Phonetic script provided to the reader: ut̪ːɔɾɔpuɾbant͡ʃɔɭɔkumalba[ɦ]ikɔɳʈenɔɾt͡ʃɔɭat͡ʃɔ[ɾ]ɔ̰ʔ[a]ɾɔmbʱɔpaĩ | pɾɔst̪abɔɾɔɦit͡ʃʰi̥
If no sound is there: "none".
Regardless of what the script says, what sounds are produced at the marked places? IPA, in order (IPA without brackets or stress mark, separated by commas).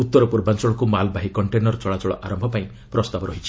ɦ, ɭ, a